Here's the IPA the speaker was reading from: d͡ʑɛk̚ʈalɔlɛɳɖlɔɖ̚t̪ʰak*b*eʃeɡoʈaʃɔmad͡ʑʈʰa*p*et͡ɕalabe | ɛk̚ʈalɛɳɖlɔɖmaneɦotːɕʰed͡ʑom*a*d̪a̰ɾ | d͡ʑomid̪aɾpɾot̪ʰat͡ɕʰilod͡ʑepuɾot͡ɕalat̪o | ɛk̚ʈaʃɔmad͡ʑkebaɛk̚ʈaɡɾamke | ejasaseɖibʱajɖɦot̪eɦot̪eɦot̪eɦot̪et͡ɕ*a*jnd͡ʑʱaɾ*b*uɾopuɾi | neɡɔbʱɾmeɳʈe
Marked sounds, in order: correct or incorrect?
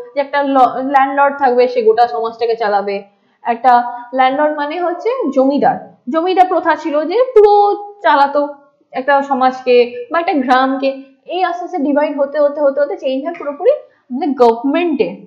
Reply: correct, incorrect, incorrect, incorrect, incorrect

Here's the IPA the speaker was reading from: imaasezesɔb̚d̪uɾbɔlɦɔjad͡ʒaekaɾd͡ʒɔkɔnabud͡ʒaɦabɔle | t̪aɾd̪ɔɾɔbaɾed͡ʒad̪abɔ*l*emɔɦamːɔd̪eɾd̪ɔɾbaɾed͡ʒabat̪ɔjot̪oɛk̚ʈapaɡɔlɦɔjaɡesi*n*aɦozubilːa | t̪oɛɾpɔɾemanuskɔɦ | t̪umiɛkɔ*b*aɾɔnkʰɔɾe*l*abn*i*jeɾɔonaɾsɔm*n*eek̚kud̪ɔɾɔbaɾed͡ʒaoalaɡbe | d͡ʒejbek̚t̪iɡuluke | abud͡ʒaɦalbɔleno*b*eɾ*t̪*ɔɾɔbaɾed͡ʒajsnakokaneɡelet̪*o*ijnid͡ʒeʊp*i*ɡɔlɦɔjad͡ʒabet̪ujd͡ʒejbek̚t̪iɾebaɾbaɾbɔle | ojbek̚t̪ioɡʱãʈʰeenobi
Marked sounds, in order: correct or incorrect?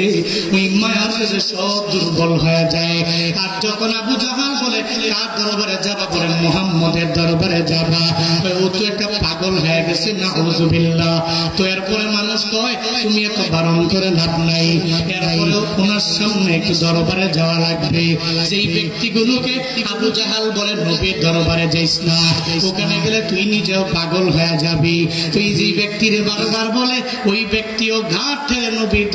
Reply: incorrect, correct, correct, correct, incorrect, correct, correct, incorrect, incorrect, incorrect

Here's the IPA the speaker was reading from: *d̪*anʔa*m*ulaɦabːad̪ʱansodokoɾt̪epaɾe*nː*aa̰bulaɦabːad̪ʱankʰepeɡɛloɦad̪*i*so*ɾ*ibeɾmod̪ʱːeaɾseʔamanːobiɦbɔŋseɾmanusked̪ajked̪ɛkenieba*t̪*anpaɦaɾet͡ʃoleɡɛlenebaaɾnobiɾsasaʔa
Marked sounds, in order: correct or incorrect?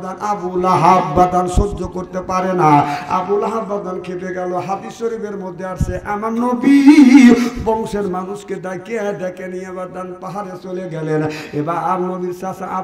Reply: correct, incorrect, incorrect, correct, correct, incorrect

